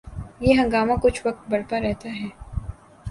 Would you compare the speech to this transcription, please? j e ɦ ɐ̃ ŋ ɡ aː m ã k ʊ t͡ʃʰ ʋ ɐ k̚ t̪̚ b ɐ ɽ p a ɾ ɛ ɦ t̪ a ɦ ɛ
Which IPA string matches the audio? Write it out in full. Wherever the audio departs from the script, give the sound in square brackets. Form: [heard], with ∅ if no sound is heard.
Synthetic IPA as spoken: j e ɦ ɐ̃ ŋ ɡ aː m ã k ʊ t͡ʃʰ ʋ ɐ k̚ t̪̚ b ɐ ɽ p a ɾ ɛ ɦ t̪ a ɦ [ɛː]